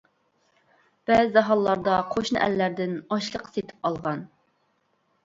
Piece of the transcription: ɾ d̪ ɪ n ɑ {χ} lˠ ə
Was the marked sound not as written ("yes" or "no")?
yes